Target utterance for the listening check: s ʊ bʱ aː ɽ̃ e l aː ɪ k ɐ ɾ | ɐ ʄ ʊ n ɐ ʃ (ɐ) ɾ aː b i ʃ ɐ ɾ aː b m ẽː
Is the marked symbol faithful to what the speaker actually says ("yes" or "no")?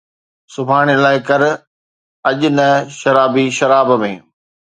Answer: yes